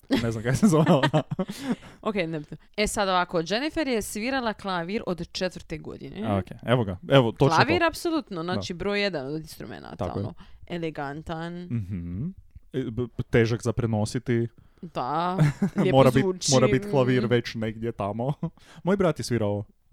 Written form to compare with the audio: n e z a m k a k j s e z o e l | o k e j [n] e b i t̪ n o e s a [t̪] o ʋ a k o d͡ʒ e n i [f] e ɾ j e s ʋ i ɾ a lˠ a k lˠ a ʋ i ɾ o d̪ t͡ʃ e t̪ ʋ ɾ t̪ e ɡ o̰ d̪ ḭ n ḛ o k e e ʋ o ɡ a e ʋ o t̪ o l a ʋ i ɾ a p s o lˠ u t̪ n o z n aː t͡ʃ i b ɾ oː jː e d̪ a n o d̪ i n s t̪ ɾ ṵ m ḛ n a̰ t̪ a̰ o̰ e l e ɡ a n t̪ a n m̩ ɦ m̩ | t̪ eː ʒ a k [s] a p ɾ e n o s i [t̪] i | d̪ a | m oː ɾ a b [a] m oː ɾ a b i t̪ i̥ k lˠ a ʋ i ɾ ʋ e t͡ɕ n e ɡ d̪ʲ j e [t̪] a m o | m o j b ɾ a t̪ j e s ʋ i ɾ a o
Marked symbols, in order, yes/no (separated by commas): yes, no, yes, no, yes, no, yes